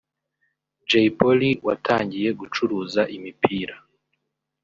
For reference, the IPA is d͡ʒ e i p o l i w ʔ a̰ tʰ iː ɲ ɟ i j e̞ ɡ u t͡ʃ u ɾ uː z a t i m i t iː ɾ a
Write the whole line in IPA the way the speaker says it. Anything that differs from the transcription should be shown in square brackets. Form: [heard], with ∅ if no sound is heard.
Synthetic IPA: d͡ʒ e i p o l i w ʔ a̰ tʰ [aː] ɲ ɟ i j e̞ ɡ u t͡ʃ u ɾ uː z a [ʔ] i m i [p] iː ɾ a